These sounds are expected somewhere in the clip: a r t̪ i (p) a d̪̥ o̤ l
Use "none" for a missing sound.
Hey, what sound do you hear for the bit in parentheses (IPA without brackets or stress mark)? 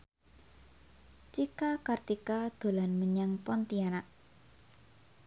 k